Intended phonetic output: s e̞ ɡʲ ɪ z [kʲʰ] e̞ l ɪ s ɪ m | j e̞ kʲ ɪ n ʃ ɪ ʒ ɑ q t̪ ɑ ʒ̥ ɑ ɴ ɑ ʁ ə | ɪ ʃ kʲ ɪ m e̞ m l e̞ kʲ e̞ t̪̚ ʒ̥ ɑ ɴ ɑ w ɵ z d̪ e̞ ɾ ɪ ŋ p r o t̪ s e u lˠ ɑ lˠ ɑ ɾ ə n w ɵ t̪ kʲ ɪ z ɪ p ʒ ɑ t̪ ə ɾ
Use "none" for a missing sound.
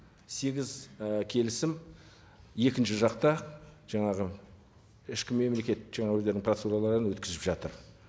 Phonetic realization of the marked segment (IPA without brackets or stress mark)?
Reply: kʲʰ